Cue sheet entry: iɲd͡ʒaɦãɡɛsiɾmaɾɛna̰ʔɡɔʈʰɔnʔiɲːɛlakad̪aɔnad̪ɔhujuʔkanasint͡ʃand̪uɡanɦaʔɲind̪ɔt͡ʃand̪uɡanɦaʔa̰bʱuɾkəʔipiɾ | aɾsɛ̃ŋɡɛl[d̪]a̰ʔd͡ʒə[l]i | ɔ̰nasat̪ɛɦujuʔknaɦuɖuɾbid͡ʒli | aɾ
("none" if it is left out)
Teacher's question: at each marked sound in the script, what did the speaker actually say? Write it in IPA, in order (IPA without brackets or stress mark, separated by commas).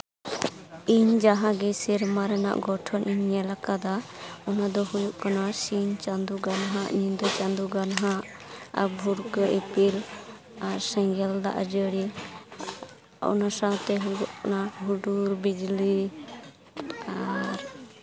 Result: d̪, ɽ